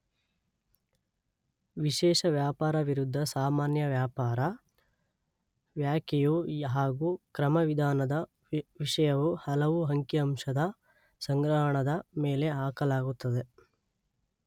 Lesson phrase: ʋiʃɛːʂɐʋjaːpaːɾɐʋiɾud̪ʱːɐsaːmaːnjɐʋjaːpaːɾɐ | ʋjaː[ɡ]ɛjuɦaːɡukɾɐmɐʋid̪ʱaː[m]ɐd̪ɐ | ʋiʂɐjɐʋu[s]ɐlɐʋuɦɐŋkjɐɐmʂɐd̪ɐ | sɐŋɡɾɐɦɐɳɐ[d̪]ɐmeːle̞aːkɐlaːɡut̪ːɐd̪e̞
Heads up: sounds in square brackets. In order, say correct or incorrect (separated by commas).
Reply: incorrect, incorrect, incorrect, correct